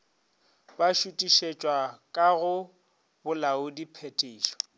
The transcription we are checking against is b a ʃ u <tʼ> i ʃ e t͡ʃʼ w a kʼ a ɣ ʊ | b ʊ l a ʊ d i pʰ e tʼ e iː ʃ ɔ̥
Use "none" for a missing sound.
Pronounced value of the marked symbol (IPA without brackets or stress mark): tʼ